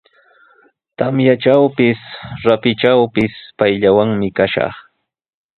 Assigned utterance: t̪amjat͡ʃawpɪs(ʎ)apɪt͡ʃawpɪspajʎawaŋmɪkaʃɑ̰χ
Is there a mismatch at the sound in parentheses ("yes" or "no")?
yes